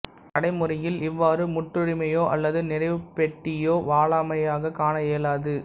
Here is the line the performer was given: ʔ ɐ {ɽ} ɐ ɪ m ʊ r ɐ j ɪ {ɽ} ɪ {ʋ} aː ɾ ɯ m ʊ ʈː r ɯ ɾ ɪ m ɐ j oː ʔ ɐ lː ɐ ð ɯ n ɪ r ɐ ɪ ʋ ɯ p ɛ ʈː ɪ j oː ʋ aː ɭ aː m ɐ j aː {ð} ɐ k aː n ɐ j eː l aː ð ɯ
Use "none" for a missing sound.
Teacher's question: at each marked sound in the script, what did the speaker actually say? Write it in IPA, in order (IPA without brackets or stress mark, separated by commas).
ɽ, l, ʋː, ɣ